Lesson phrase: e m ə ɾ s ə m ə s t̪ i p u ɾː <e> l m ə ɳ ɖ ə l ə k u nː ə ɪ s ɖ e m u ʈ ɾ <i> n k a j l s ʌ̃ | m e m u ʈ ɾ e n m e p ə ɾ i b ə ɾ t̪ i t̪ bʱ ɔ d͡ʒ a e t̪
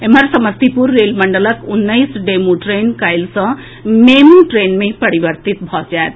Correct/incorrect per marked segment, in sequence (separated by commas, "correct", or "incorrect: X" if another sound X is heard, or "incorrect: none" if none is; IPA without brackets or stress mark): correct, incorrect: e